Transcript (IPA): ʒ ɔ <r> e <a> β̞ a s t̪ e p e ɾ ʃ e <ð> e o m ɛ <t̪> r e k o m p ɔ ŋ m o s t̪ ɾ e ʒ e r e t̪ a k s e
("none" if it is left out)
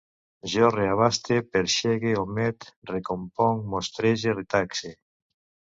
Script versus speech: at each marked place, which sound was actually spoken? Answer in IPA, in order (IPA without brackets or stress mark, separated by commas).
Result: r, a, ɣ, t̪